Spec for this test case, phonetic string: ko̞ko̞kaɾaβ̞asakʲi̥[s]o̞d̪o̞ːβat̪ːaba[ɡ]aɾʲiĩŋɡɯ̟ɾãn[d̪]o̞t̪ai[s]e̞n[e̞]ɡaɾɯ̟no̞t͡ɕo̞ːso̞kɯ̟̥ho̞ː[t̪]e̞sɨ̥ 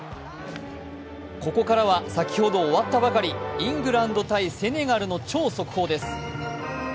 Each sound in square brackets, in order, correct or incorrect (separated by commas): incorrect, incorrect, correct, correct, correct, incorrect